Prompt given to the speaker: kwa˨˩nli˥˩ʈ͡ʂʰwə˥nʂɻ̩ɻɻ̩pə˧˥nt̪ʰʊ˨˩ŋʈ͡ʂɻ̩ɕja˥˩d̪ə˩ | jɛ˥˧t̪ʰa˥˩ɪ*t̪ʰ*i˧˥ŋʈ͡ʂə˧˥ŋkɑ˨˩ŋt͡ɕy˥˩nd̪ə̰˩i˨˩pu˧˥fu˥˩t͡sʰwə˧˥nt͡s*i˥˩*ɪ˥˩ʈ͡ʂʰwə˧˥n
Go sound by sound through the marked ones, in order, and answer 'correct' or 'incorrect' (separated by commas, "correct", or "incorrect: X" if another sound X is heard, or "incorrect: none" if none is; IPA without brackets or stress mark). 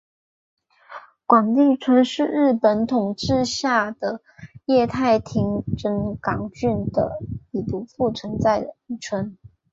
correct, incorrect: a˥˩